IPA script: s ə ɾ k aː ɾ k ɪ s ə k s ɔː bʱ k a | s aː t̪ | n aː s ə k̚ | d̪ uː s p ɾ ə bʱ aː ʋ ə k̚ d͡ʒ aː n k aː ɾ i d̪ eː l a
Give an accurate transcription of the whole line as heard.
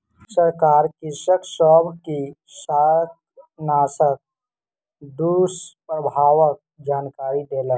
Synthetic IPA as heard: s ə ɾ k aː ɾ k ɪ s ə k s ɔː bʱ k i | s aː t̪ | n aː s ə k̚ | d̪ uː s p ɾ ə bʱ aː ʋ ə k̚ d͡ʒ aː n k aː ɾ i d̪ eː l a

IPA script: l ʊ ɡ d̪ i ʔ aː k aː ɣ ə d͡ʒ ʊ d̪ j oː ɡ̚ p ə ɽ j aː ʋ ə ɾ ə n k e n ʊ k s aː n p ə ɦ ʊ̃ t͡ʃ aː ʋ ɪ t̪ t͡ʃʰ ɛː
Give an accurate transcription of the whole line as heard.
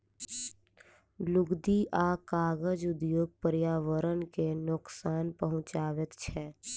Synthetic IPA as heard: l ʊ ɡ d̪ i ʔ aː k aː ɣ ə d͡ʒ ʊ d̪ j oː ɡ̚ p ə ɾ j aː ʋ ə ɾ ə n k e n ʊ k s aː n p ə ɦ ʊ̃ t͡ʃ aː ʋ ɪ t̪ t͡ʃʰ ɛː

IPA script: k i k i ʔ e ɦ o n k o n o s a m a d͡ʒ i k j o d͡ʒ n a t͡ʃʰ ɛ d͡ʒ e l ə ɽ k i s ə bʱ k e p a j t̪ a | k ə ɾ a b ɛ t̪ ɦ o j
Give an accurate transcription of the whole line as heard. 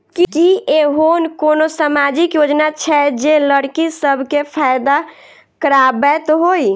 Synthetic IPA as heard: k i k i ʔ e ɦ o n k o n o s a m a d͡ʒ i k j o d͡ʒ n a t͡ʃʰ ɛ d͡ʒ e l ə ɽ k i s ə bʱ k e pʰ a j d̪ a | k ə ɾ a b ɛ t̪ ɦ o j

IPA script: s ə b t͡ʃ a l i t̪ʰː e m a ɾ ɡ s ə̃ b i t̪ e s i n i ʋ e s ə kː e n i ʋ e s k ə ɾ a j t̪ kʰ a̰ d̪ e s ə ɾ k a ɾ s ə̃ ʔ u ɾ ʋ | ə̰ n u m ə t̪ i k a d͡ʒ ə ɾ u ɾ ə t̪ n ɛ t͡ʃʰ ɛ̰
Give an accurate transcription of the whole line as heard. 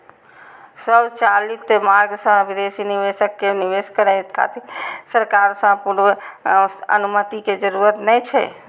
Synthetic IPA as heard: s ə b t͡ʃ a l i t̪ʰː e m a ɾ ɡ s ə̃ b i d̪ e s i n i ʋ e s ə kː e n i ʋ e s k ə ɾ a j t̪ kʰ a̰ t̪ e s ə ɾ k a ɾ s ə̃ p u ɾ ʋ | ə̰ n u m ə t̪ i k e d͡ʒ ə ɾ u ɾ ə t̪ n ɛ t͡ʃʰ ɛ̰

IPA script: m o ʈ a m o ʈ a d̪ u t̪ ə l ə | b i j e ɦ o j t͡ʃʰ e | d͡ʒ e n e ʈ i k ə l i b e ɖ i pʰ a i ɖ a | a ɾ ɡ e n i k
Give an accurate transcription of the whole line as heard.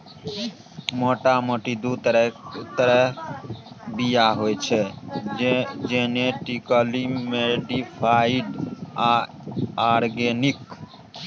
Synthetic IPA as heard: m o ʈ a m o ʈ i d̪ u t̪ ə ɾ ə | b i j a ɦ o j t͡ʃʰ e | d͡ʒ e n e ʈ i k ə l i m e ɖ i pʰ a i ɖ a | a ɾ ɡ e n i k

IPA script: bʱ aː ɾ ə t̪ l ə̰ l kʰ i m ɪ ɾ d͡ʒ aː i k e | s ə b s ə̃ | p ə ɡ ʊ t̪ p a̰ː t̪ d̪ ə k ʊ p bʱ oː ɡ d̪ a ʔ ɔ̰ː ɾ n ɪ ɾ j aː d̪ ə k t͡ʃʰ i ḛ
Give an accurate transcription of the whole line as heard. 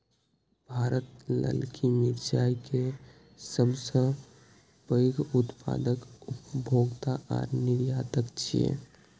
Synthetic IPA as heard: bʱ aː ɾ ə t̪ l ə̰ l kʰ i m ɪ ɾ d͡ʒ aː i k e | s ə b s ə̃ | p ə ɡ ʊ t̪ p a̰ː d̪ ə k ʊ p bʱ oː ɡ t̪ a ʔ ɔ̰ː ɾ n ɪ ɾ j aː t̪ ə k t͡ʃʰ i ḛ

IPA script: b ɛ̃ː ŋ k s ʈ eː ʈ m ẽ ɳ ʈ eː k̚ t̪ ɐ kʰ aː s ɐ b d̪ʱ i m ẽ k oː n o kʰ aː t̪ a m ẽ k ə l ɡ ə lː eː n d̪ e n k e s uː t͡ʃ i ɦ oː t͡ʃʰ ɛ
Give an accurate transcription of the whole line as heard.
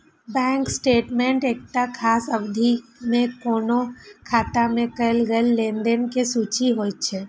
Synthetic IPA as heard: b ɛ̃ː ŋ k s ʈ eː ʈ m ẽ ɳ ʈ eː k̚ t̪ a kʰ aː s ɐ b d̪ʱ i m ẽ k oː n o kʰ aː t̪ a m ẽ k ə l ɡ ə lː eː n d̪ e n k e s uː t͡ʃ i ɦ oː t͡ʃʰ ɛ

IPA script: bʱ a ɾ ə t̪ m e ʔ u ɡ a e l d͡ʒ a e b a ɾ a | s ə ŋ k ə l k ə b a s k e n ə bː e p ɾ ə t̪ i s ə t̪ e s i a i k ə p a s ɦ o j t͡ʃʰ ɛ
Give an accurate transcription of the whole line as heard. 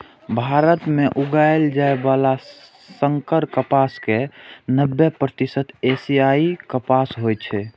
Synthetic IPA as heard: bʱ a ɾ ə t̪ m e ʔ u ɡ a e l d͡ʒ a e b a l a | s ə ŋ k ə ɾ k ə p a s k e n ə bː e p ɾ ə t̪ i s ə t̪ e s i a i k ə p a s ɦ o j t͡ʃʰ ɛ

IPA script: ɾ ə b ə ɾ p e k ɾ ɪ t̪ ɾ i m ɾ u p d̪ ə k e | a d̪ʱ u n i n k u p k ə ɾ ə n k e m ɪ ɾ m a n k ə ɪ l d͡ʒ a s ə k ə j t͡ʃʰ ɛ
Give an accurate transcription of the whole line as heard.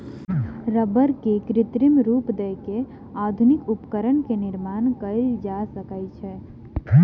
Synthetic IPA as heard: ɾ ə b ə ɾ k e k ɾ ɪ t̪ ɾ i m ɾ u p d̪ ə k e | a d̪ʱ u n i k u p k ə ɾ ə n k e n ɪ ɾ m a n k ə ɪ l d͡ʒ a s ə k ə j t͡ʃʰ ɛ

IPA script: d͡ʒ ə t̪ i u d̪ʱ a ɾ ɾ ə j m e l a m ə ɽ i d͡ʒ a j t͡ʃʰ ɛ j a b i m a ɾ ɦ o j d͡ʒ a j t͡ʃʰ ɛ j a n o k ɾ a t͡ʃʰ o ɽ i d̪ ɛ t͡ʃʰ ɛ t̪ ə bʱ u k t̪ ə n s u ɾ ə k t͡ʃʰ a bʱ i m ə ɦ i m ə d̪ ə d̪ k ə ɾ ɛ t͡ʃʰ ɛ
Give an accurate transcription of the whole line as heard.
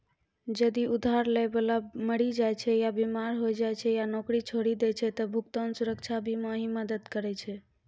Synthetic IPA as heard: d͡ʒ ə d̪ i u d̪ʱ a ɾ l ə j b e l a m ə ɽ i d͡ʒ a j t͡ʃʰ ɛ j a b i m a ɾ ɦ o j d͡ʒ a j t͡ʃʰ ɛ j a n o k ɾ i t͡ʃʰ o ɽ i d̪ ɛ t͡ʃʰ ɛ t̪ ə bʱ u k t̪ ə n s u ɾ ə k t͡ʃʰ a bʱ i m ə ɦ i m ə d̪ ə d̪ k ə ɾ ɛ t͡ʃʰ ɛ

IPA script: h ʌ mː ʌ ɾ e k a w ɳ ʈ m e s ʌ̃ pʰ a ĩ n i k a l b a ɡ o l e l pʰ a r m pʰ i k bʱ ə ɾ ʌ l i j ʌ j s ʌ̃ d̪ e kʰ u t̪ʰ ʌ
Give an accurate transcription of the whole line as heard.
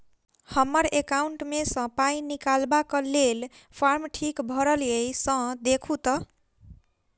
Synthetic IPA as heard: h ʌ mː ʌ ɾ e k a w ɳ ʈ m e s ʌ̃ p a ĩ n i k a l b a k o l e l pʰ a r m ʈʰ i k bʱ ʌ ɾ ʌ l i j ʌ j s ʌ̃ d̪ e kʰ u t̪ ʌ

